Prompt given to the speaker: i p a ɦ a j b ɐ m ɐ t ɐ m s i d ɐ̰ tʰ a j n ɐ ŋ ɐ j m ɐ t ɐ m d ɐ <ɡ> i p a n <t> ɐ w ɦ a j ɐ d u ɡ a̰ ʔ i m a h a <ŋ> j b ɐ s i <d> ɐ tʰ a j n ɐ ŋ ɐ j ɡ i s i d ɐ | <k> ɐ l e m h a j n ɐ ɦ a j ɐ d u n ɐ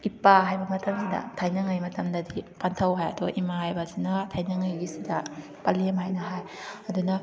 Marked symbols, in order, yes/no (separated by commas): no, no, no, no, no